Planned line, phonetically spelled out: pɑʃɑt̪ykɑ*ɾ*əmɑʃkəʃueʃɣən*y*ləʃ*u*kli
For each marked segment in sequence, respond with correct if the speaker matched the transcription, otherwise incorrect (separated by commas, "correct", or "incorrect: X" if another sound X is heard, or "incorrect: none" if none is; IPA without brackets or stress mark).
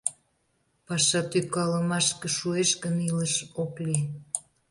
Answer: incorrect: l, incorrect: i, incorrect: o